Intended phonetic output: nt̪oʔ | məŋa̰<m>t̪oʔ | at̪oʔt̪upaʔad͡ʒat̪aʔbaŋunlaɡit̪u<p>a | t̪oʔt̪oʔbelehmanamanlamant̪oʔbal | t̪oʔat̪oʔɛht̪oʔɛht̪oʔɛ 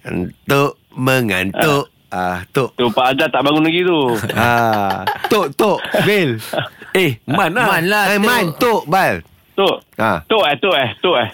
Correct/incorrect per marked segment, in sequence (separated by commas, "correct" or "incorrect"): incorrect, incorrect